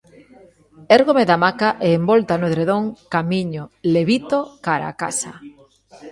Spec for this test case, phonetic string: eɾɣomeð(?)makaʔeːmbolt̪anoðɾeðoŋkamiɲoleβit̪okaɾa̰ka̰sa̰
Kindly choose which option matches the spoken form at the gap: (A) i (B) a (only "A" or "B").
B